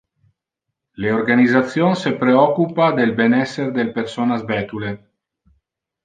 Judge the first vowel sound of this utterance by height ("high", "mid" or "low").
mid